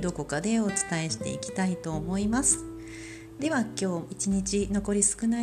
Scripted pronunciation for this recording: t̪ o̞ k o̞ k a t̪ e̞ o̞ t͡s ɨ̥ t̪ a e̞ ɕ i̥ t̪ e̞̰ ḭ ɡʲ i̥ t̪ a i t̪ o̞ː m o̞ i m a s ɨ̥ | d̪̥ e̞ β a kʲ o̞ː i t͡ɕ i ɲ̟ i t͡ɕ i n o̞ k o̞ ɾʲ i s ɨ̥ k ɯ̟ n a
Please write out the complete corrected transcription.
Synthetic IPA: d̪ o̞ k o̞ k a d̪ e̞ o̞ t͡s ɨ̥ t̪ a e̞ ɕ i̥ t̪ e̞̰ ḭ kʲ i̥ t̪ a i t̪ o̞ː m o̞ i m a s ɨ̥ | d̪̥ e̞ β a kʲ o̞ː i t͡ɕ i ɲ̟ i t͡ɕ i n o̞ k o̞ ɾʲ i s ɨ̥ k ɯ̟ n a